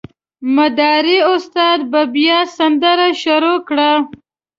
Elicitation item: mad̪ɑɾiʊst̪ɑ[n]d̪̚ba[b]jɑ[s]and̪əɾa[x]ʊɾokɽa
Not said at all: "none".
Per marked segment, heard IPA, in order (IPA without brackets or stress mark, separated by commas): none, b, s, ʃ